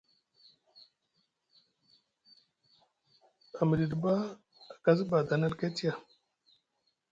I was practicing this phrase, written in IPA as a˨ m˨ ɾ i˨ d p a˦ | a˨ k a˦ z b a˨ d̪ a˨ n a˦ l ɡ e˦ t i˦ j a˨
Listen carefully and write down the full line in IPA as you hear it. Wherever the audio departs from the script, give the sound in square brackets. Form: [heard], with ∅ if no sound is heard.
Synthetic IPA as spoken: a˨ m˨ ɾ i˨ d [b] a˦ | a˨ k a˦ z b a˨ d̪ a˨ n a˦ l [k] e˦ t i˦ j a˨

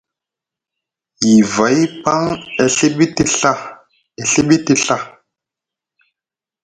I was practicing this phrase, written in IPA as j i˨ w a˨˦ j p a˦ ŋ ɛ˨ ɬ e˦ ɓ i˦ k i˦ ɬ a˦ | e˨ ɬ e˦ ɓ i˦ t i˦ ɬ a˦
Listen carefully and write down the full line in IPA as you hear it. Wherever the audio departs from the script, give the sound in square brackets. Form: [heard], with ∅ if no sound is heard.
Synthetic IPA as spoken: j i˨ [v] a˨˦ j p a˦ ŋ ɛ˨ ɬ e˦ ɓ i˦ [t] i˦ ɬ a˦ | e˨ ɬ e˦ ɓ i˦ t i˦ ɬ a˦

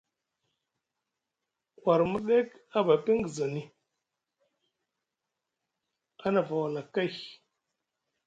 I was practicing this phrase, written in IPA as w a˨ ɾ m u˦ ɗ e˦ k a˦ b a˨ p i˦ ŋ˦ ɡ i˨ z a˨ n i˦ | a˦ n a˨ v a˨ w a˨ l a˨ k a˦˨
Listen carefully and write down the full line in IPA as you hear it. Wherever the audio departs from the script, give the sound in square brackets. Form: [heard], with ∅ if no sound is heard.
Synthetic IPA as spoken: w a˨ ɾ m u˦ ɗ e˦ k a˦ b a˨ p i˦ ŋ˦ ɡ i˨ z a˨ n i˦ | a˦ n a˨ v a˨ w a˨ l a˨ k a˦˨

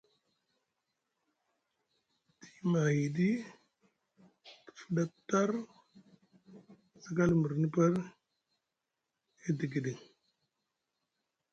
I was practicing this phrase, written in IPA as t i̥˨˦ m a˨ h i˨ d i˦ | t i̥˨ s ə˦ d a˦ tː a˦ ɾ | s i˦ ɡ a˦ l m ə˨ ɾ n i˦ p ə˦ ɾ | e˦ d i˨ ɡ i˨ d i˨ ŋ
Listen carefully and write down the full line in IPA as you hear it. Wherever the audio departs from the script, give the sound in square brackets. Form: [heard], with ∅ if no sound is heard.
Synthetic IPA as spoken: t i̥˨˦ m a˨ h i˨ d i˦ | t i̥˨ [f] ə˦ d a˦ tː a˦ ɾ | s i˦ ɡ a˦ l m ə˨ ɾ n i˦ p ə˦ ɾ | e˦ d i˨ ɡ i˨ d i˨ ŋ

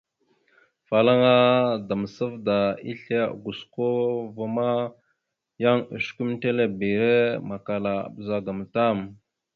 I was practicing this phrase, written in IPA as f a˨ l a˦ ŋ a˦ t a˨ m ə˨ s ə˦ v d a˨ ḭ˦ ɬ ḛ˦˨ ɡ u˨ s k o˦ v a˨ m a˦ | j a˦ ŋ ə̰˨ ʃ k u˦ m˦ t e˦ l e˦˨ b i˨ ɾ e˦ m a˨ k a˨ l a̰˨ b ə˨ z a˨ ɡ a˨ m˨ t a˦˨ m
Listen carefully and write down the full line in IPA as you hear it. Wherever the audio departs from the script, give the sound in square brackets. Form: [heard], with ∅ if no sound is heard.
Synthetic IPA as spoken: f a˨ l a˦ ŋ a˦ [d] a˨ m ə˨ s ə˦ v d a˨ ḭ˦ ɬ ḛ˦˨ ɡ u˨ s k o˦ v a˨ m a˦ | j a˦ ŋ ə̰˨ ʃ k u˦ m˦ t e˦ l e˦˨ b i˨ ɾ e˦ m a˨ k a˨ l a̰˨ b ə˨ z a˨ ɡ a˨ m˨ t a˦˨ m

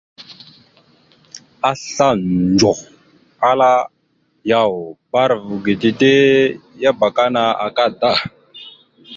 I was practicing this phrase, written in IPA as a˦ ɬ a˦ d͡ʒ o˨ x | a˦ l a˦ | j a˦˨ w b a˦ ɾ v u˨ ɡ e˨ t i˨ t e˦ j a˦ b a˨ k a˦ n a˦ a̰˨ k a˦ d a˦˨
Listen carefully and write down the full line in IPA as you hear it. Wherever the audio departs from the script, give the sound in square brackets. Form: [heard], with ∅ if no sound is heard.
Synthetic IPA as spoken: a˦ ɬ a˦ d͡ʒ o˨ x | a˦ l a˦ | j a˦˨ w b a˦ ɾ v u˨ ɡ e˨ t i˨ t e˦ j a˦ b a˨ k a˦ n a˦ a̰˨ k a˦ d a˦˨

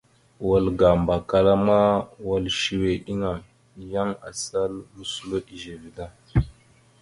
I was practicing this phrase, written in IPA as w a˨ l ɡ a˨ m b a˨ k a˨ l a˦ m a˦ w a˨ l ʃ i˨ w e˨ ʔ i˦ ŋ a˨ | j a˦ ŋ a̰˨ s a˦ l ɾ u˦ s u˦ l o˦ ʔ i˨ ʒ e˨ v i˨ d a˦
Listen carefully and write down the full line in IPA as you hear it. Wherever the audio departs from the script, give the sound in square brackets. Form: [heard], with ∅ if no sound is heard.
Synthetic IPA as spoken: w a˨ l ɡ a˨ m b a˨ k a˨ l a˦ m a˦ w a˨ l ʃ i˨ w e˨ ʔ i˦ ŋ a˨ | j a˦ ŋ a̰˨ s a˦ l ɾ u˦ s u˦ l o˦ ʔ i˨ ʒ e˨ v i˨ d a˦

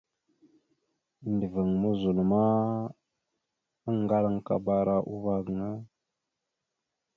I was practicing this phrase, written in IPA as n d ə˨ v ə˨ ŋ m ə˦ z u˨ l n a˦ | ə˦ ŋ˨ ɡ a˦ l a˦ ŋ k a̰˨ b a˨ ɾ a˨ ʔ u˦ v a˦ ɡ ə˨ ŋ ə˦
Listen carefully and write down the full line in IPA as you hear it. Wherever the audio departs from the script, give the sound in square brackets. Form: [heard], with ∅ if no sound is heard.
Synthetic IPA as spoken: n d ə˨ v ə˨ ŋ m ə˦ z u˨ l [m] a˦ | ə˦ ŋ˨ ɡ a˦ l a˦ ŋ k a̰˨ b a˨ ɾ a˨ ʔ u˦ v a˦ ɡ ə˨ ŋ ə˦

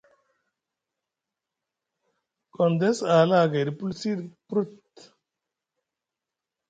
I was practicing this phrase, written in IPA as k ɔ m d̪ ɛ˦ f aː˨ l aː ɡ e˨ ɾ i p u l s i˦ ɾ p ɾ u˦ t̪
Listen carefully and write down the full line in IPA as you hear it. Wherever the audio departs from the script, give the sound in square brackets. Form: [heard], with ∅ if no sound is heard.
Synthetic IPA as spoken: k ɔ [n] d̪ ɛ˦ [s] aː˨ l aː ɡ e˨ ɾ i p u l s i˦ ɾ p ɾ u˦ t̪

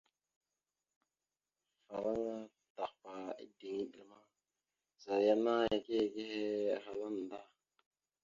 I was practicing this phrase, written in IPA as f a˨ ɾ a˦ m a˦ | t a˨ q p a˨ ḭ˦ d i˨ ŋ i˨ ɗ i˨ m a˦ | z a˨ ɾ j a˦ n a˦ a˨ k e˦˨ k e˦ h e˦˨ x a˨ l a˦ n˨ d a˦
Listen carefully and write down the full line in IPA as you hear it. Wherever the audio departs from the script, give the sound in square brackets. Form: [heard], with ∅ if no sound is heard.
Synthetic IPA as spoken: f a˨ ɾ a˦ [ŋ] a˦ | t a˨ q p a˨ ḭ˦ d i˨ ŋ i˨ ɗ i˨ m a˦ | z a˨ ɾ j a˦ n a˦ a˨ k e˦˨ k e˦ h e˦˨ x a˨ l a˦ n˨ d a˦

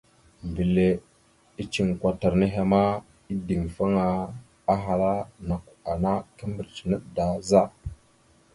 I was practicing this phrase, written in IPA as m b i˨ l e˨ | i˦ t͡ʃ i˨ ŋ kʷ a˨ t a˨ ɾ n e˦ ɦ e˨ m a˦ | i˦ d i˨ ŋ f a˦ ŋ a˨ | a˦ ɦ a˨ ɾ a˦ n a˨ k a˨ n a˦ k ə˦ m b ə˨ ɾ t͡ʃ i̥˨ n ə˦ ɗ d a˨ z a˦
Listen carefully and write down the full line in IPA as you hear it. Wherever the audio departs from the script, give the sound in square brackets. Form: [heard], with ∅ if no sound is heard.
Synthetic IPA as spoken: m b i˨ l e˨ | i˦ t͡ʃ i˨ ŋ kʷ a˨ t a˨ ɾ n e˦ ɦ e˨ m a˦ | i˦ d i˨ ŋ f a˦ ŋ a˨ | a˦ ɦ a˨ ɾ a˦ n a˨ k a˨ n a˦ k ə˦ m b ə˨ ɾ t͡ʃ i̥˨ n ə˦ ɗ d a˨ z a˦

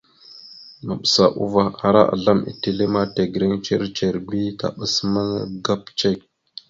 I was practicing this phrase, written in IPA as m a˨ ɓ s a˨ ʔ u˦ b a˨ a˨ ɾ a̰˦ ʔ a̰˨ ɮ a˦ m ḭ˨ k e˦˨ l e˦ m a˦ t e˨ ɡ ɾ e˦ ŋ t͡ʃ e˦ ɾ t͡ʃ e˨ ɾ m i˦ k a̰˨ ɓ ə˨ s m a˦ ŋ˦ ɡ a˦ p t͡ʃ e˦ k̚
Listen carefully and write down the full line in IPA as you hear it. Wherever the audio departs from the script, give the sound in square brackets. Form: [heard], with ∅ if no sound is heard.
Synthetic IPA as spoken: m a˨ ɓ s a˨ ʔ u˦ [v] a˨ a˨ ɾ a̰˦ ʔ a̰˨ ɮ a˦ m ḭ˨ [t] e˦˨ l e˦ m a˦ t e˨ ɡ ɾ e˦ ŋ t͡ʃ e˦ ɾ t͡ʃ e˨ ɾ [b] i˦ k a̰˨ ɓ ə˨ s m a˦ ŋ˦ ɡ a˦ p t͡ʃ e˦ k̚

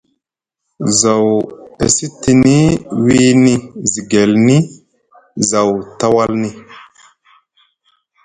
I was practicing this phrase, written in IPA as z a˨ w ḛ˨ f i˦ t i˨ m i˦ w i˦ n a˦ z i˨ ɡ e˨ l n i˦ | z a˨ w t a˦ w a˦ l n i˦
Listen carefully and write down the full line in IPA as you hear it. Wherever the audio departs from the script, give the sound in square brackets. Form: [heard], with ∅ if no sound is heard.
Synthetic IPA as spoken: z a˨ w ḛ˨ [s] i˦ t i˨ [n] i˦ w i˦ n [i˦] z i˨ ɡ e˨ l n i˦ | z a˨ w t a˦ w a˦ l n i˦

